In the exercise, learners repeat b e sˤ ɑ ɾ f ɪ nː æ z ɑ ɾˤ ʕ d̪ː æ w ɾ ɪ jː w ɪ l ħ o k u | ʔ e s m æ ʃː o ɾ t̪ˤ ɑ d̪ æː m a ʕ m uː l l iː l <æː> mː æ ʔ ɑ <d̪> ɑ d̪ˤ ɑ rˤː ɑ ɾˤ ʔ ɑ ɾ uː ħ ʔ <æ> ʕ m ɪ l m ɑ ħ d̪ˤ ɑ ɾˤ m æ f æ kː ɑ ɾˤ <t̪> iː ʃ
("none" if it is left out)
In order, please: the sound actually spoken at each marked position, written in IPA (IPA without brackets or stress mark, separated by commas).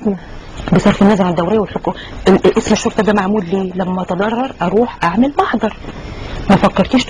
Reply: æ, t̪, a, t̪